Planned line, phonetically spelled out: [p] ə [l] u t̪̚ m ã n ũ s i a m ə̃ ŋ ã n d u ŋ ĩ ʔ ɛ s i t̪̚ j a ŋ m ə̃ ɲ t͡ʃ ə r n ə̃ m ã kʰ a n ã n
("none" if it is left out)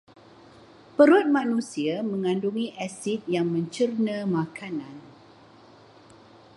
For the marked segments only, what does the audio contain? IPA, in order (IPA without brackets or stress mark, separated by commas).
p, ɾ